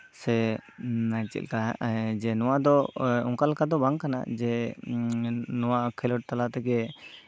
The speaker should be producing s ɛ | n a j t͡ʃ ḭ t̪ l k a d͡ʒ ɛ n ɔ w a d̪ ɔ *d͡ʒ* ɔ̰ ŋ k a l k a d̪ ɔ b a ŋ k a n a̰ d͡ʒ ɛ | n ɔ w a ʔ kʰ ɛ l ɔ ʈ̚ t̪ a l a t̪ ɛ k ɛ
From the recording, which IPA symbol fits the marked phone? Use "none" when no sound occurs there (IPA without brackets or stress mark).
none